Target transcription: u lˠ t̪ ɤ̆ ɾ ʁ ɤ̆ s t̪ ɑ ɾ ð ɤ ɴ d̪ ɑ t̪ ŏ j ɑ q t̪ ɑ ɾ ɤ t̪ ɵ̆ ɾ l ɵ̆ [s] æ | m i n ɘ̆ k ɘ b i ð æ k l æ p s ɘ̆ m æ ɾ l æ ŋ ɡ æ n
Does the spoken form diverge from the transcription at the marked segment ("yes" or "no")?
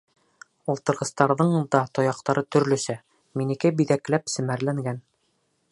no